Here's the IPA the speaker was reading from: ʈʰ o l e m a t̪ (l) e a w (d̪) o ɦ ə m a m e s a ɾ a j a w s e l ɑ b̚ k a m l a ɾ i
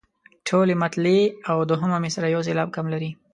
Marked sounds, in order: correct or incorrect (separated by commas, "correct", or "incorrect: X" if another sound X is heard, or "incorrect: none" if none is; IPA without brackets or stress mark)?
correct, correct